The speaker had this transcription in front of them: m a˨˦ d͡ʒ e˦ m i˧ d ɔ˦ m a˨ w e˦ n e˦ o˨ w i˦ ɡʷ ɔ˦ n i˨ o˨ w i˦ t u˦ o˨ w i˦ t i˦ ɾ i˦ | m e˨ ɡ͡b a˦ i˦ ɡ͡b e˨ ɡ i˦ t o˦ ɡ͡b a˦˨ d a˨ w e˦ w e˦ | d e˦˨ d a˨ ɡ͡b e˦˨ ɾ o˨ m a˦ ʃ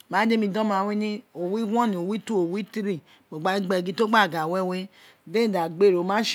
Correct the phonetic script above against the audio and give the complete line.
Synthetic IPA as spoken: m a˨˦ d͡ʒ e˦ m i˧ d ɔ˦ m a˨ w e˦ n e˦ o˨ w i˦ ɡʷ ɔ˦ n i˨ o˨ w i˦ t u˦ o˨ w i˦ t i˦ ɾ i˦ | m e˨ ɡ͡b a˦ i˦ ɡ͡b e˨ ɡ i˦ t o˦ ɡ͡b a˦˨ ɡ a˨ w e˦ w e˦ | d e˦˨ d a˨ ɡ͡b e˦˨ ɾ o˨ m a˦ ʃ

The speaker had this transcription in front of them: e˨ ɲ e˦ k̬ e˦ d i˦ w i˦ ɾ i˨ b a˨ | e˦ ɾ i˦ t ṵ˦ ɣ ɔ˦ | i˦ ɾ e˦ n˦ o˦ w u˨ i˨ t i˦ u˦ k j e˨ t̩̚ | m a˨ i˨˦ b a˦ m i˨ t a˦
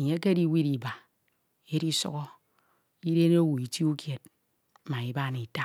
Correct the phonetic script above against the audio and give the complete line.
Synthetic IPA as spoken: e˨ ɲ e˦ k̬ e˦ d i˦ w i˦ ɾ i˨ b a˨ | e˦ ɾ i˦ s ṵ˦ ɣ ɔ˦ | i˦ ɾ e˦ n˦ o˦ w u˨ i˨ t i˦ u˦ k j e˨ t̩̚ | m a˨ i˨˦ b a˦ n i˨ t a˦

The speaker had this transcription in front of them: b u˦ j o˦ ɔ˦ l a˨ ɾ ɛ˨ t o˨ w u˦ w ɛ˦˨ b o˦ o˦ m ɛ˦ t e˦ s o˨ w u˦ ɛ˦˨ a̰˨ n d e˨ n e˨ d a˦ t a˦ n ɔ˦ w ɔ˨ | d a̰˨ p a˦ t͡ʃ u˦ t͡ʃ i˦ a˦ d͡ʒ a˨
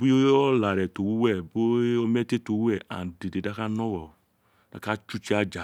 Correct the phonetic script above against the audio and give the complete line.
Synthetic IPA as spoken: b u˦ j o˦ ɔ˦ l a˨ ɾ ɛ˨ t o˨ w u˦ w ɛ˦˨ b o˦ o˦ m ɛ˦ t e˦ t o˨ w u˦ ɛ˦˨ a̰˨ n d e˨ d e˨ d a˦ k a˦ n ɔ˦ w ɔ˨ | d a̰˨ k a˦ t͡ʃ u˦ t͡ʃ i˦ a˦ d͡ʒ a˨

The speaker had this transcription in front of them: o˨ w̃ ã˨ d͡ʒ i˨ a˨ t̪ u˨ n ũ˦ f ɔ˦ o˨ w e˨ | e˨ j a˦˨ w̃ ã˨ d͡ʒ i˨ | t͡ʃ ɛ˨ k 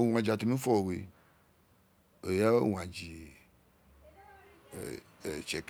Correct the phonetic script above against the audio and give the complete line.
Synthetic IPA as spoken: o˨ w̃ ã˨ d͡ʒ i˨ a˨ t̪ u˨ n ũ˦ f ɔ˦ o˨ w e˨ | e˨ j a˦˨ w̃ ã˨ d͡ʒ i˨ | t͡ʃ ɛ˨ k

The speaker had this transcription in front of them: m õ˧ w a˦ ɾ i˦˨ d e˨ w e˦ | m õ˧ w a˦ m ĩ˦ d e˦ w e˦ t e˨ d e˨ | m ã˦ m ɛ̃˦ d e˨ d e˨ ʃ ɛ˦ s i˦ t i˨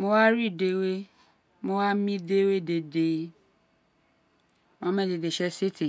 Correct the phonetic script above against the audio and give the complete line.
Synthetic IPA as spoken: m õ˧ w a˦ ɾ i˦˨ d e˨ w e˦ | m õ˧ w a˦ m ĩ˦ d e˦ w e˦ d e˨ d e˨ | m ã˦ m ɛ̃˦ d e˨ d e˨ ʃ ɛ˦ s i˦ t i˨

